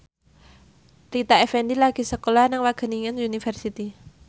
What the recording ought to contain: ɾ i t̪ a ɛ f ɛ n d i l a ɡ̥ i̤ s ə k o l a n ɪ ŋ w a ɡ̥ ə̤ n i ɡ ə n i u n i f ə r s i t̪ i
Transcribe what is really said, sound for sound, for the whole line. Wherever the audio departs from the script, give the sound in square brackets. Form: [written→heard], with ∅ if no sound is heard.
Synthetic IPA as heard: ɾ i t̪ a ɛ f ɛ n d i l a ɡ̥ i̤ s ə k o l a n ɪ ŋ w a ɡ̥ ə̤ n i [ɡ→ŋ] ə n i u n i f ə r s i t̪ i